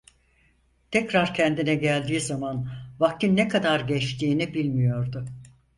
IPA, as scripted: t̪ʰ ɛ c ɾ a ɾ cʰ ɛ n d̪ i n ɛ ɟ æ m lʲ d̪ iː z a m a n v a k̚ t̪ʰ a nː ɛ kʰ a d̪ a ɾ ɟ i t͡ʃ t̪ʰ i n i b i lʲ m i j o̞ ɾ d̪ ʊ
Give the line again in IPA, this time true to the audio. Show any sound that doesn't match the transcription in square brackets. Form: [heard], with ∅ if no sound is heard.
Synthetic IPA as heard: t̪ʰ ɛ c ɾ a ɾ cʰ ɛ n d̪ i n ɛ ɟ æ [∅] lʲ d̪ iː z a m a n v a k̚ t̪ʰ [i] nː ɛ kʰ a d̪ a ɾ ɟ [ɛ] t͡ʃ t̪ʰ [iː] n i b i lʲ m i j o̞ ɾ d̪ ʊ